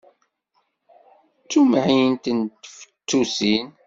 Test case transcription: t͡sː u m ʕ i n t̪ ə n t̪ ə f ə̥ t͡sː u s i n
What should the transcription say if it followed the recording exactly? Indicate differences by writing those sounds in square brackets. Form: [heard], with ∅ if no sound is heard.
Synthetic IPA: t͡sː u m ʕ i n t̪ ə n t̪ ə f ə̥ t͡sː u s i n